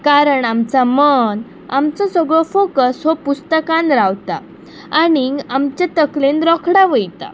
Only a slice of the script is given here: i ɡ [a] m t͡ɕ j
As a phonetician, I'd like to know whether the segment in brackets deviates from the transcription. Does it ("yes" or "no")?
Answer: no